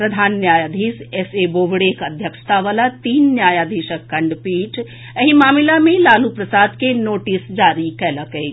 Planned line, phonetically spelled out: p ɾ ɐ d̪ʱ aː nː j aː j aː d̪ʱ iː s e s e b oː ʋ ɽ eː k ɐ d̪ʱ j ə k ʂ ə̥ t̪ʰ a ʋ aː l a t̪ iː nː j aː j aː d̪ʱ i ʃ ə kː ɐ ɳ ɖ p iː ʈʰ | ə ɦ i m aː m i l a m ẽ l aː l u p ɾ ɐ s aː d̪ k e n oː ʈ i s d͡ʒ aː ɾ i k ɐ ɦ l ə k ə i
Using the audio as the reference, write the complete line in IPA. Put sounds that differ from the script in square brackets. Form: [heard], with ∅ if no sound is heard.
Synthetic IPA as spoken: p ɾ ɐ d̪ʱ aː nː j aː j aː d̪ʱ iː s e s e b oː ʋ ɽ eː k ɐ d̪ʱ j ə k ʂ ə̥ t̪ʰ a ʋ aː l a t̪ iː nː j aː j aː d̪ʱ i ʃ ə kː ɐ ɳ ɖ p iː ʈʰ | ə ɦ i m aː m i l a m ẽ l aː l u p ɾ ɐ s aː d̪ k e n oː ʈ i s d͡ʒ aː ɾ i k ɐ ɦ l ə k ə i